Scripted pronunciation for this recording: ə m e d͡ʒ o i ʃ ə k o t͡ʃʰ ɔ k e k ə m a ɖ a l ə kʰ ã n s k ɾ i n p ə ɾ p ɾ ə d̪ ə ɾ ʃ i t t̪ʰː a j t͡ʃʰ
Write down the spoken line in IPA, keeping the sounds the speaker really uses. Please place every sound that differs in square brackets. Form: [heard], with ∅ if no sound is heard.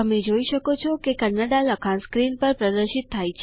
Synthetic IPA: ə m e d͡ʒ o i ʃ ə k o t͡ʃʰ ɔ k e k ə [n] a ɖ a l ə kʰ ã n s k ɾ i n p ə ɾ p ɾ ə d̪ ə ɾ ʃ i t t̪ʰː a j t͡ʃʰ